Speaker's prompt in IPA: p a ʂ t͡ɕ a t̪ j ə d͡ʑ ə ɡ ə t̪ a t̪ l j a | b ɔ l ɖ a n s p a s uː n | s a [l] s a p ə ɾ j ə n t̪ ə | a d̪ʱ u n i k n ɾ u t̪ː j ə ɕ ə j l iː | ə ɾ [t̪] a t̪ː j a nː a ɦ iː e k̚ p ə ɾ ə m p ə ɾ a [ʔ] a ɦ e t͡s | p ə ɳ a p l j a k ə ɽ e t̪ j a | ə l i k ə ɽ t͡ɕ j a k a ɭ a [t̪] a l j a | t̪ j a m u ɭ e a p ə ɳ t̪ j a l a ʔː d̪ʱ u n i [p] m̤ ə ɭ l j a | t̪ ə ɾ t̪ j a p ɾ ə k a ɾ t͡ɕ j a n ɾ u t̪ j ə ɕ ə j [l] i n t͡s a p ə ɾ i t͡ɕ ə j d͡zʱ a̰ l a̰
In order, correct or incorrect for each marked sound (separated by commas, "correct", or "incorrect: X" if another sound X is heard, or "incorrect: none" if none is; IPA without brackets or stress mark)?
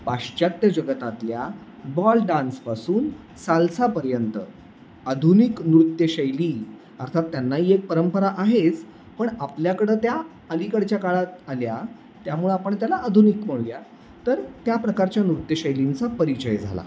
correct, incorrect: t̪ʰ, correct, correct, incorrect: k, correct